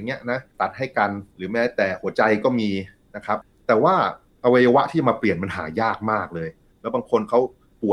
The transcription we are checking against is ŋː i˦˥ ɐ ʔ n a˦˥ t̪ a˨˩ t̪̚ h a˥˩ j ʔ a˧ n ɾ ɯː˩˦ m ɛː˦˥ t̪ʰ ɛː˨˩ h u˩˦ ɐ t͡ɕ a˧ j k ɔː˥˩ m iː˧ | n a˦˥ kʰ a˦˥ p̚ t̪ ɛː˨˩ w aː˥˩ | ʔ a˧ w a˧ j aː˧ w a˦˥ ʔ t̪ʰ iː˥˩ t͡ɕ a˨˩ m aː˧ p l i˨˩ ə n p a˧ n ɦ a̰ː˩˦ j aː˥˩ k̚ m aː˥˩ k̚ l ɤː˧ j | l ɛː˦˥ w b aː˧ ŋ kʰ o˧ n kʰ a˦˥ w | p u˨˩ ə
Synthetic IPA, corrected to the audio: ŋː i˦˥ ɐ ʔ n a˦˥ t̪ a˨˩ t̪̚ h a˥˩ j k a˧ n ɾ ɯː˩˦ m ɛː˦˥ t̪ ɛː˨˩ h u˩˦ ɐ t͡ɕ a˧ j k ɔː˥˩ m iː˧ | n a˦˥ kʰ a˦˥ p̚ t̪ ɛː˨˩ w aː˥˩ | ʔ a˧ w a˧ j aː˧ w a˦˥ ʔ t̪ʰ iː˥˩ t͡ɕ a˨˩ m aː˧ p l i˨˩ ə n p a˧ n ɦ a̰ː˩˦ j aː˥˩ k̚ m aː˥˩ k̚ l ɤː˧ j | l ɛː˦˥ w b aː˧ ŋ kʰ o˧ n kʰ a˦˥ w | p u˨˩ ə